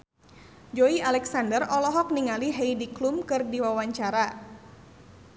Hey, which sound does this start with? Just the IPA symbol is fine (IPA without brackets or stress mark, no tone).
d͡ʒ